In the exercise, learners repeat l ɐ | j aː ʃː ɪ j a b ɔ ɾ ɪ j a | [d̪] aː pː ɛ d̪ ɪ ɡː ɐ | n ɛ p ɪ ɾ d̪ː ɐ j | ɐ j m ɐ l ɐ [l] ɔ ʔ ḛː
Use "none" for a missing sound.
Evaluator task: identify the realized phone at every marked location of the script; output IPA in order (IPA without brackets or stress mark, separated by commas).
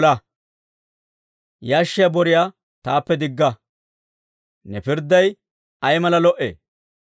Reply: t̪, l